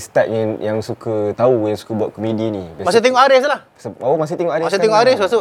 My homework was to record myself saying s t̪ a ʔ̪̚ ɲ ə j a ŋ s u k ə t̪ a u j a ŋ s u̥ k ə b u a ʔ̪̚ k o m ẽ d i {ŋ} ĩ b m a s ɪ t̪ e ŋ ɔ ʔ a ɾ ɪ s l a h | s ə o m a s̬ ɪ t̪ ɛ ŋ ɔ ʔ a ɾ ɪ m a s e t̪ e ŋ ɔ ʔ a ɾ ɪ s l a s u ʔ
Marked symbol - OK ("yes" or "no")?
no